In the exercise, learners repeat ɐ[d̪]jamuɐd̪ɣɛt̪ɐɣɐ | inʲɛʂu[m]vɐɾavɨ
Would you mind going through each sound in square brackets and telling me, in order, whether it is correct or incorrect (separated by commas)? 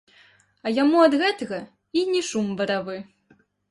incorrect, correct